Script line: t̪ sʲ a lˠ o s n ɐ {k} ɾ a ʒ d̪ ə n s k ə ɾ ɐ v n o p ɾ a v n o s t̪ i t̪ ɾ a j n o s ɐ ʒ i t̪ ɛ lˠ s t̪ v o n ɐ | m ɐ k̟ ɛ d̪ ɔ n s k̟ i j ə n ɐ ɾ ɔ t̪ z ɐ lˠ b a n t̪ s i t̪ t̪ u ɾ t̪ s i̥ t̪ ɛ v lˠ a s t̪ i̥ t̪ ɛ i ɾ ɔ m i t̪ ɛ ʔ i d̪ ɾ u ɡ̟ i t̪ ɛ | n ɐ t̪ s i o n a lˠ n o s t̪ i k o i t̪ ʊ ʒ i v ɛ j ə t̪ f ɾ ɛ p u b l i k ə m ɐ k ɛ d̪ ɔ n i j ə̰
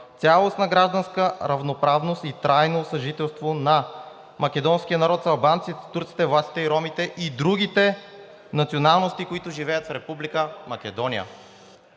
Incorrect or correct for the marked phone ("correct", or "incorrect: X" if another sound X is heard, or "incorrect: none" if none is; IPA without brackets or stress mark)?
incorrect: ɡ